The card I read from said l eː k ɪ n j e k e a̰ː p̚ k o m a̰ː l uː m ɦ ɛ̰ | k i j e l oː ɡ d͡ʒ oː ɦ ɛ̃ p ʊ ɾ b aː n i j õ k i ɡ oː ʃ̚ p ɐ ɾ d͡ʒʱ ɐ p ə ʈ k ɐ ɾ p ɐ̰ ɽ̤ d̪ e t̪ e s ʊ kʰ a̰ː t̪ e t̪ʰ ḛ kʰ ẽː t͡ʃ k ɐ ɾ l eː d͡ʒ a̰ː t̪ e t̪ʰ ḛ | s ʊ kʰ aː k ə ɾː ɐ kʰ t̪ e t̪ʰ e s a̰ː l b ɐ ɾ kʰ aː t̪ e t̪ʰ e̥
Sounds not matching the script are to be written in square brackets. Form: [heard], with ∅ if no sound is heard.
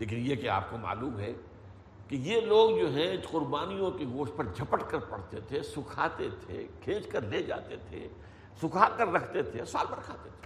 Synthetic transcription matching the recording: l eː k ɪ n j e k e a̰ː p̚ k o m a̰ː l uː m ɦ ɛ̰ | k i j e l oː ɡ d͡ʒ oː ɦ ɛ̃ [q] ʊ ɾ b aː n i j õ k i ɡ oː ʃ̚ p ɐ ɾ d͡ʒʱ ɐ p ə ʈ k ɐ ɾ p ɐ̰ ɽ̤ [t̪] e [t̪ʰ] e s ʊ kʰ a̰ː t̪ e t̪ʰ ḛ kʰ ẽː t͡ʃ k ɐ ɾ l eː d͡ʒ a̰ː t̪ e t̪ʰ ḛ | s ʊ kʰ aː k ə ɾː ɐ kʰ t̪ e t̪ʰ e s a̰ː l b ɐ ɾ kʰ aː t̪ e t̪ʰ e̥